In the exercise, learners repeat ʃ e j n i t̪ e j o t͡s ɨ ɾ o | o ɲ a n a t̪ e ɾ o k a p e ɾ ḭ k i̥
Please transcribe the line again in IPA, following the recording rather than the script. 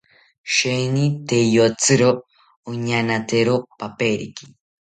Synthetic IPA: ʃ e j n i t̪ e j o t͡s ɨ ɾ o | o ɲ a n a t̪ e ɾ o p a p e ɾ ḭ k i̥